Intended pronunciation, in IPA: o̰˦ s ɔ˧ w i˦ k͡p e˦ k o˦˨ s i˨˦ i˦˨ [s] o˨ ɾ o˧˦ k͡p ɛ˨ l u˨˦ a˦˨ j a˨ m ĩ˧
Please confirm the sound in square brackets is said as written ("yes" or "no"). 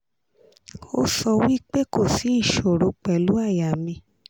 no